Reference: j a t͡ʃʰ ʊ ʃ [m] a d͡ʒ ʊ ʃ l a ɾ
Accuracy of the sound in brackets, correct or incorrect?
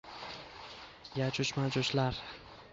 correct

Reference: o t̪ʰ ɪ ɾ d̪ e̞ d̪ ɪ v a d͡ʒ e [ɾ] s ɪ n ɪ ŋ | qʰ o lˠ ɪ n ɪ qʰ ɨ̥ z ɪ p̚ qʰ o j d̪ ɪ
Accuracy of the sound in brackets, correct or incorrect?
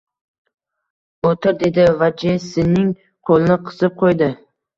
incorrect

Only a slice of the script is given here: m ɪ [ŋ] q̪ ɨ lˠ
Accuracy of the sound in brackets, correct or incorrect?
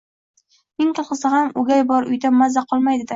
correct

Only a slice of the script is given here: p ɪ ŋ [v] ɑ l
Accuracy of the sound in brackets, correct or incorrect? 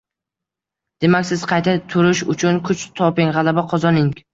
incorrect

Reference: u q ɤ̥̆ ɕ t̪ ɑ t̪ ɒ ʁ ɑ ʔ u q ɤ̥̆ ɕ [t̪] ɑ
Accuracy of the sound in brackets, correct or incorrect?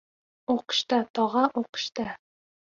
correct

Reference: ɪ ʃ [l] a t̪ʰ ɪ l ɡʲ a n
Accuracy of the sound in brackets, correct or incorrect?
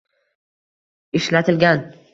correct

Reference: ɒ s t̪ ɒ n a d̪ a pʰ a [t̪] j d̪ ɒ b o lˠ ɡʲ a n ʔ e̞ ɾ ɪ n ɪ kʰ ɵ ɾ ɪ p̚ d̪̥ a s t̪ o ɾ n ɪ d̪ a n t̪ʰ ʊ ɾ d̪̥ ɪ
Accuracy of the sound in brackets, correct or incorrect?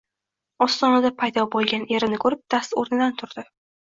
incorrect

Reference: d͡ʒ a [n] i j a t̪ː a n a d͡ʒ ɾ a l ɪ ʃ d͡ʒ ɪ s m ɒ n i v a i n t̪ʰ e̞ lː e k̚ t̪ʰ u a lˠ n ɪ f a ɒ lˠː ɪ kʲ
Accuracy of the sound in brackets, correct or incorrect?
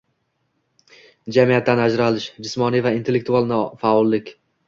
incorrect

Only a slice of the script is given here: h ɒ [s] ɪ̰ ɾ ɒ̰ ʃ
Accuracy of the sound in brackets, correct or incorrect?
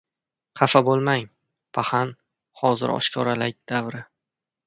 incorrect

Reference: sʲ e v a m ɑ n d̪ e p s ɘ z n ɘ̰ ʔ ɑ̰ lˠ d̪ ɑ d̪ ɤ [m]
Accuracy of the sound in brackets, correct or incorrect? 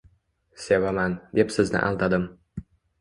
correct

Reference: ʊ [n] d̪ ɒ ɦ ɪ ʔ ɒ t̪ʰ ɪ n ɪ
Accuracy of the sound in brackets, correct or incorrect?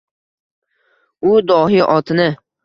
incorrect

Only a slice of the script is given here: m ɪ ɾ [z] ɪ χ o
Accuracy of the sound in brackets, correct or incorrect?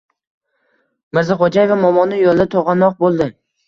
correct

